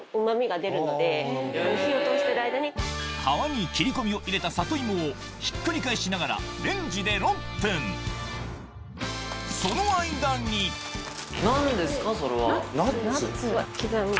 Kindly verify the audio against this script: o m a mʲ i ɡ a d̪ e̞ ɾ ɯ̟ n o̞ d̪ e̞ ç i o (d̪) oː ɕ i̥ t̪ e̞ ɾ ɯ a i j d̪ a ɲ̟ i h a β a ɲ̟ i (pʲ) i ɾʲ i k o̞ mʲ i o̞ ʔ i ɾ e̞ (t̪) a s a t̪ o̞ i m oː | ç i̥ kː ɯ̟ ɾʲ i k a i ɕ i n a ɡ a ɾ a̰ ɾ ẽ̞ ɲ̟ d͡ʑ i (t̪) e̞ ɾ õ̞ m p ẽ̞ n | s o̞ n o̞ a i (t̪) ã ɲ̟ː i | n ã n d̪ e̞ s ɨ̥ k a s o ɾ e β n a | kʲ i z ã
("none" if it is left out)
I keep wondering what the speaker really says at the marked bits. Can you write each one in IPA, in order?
t̪, kʲ, t̪, d̪, d̪

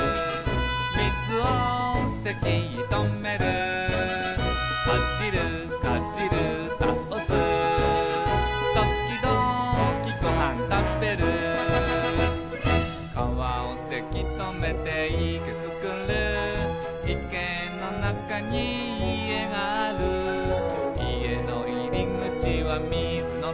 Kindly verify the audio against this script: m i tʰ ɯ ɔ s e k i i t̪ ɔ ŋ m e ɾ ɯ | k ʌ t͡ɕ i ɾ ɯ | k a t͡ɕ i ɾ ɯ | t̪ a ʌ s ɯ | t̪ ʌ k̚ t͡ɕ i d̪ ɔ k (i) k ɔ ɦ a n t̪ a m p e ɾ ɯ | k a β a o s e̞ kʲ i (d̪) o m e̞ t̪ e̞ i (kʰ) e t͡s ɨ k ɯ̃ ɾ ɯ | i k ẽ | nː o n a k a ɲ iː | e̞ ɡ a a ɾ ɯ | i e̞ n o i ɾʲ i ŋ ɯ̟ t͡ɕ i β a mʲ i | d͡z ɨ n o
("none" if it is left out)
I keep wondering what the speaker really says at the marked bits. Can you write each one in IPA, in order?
i, t̪, k

